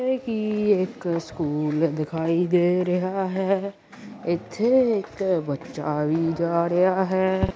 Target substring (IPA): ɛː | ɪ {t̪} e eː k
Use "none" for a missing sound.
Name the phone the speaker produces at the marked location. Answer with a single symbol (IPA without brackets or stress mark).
t̪ʰ